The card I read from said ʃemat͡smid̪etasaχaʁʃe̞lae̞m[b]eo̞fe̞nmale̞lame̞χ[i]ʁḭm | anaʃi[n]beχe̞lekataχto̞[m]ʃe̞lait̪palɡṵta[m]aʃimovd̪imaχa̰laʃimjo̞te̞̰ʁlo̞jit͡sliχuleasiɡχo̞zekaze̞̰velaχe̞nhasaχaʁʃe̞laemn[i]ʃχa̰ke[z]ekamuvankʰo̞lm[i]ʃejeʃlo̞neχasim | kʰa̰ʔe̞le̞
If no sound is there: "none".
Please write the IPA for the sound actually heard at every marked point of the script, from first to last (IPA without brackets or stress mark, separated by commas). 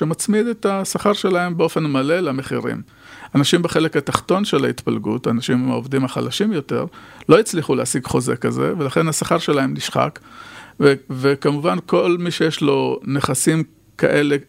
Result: b, i, m, n, n, i, v, i